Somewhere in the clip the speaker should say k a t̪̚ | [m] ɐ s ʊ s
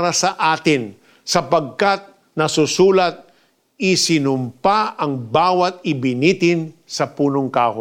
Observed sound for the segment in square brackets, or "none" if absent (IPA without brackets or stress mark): n